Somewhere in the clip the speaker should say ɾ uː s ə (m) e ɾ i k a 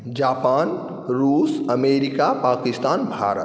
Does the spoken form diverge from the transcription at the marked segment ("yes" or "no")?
no